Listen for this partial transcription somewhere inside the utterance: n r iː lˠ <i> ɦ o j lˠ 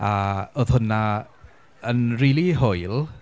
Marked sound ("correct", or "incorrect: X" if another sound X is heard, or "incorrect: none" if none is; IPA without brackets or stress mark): correct